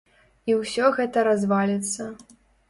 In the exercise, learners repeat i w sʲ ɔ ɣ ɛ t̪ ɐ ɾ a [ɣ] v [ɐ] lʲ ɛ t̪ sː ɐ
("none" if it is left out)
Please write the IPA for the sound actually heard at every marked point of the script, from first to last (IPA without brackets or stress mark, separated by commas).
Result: z, a